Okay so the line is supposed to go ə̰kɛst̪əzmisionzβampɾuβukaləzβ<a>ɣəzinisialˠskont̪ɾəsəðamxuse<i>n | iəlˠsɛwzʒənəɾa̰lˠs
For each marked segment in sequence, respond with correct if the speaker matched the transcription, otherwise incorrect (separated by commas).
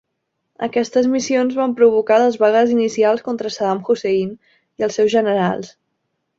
correct, correct